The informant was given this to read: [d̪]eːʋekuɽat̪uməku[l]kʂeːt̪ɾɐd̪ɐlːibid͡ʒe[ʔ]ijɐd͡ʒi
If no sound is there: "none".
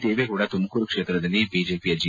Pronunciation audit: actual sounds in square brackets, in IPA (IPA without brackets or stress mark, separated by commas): t̪, ɾ, p